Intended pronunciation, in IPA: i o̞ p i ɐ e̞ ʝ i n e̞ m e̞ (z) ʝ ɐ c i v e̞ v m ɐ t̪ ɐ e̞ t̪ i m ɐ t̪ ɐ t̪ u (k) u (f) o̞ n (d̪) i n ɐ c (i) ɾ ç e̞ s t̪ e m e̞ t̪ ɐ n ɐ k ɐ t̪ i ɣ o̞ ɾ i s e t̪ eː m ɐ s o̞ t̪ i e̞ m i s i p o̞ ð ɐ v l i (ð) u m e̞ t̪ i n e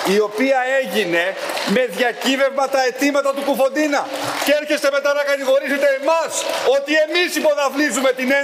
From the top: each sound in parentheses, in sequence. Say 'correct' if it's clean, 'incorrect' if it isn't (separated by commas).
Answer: incorrect, correct, correct, correct, incorrect, incorrect